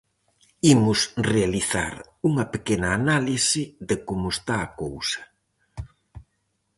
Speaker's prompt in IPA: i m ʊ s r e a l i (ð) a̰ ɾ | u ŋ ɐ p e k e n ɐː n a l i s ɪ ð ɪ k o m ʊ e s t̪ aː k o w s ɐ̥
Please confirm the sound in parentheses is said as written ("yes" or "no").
no